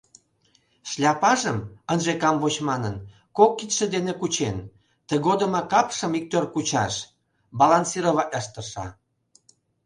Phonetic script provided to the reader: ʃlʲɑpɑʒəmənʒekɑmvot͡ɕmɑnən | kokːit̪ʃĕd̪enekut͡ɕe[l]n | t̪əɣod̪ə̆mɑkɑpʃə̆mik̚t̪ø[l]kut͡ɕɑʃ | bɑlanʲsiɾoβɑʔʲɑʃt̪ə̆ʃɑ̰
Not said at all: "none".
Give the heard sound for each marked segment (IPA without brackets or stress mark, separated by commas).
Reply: none, r